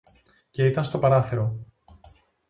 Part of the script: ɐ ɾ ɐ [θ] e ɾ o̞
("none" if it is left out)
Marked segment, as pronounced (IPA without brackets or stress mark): θ